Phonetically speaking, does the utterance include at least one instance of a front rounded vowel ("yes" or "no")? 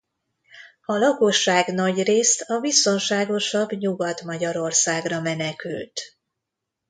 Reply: yes